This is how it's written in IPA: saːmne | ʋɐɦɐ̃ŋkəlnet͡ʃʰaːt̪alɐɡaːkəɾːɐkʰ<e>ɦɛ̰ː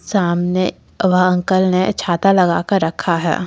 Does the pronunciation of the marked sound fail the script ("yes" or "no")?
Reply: yes